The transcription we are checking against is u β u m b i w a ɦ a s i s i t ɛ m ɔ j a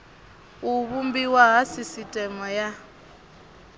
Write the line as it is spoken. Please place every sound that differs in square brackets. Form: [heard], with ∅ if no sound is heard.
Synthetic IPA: u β u m b i w a ɦ a s i s i [tʼ] ɛ m ɔ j a